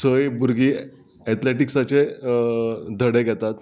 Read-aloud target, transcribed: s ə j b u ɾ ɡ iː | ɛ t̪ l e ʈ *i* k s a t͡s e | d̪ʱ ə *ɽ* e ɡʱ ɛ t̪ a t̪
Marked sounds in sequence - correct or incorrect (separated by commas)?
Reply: correct, correct